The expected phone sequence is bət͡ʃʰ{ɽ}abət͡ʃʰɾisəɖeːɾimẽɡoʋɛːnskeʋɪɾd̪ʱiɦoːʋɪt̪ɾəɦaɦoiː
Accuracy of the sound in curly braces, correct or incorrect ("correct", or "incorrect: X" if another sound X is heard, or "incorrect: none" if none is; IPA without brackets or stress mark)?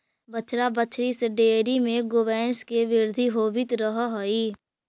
incorrect: ɾ